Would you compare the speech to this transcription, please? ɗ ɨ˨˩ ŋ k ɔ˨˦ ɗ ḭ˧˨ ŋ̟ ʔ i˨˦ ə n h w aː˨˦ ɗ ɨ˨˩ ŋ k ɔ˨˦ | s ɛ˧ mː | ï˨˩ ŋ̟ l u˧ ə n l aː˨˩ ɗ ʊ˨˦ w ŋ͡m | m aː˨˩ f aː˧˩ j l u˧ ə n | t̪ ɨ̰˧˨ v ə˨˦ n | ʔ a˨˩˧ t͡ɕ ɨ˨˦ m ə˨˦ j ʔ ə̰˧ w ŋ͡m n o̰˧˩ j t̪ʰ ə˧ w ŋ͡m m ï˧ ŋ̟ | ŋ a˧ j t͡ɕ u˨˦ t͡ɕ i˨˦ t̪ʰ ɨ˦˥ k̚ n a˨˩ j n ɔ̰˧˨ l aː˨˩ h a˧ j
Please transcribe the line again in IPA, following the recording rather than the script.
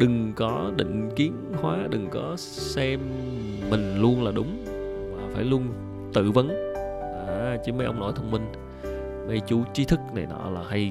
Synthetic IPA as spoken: ɗ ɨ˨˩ ŋ k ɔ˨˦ ɗ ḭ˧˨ ŋ̟ k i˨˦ ə n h w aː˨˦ ɗ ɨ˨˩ ŋ k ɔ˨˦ | s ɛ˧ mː | ï˨˩ ŋ̟ l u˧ ə n l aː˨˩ ɗ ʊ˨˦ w ŋ͡m | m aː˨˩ f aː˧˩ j l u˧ ə n | t̪ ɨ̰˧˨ v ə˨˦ n | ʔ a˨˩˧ t͡ɕ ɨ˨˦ m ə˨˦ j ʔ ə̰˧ w ŋ͡m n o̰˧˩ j t̪ʰ ə˧ w ŋ͡m m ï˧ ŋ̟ | ŋ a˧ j t͡ɕ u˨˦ t͡ɕ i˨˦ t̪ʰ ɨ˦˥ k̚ n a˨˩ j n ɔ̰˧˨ l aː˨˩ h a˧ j